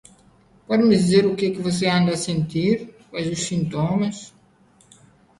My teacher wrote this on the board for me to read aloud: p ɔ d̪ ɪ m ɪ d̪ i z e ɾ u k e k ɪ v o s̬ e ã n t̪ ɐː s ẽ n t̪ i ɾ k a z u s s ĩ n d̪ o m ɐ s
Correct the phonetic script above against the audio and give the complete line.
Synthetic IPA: p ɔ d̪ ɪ m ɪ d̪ i z e ɾ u k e k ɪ v o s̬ e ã n d̪ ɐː s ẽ n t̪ i ɾ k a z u s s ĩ n t̪ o m ɐ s